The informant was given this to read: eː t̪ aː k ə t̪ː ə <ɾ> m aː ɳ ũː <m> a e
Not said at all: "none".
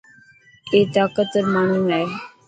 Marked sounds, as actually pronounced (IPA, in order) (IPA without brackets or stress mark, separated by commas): ɾ, n